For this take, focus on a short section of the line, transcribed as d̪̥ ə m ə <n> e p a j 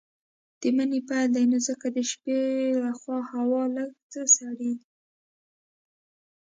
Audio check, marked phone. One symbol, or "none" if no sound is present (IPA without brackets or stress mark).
n